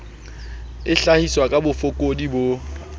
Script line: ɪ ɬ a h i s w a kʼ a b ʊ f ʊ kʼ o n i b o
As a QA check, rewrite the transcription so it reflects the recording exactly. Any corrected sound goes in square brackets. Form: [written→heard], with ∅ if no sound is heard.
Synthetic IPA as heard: ɪ ɬ a h i s w a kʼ a b ʊ f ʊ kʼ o [n→d] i b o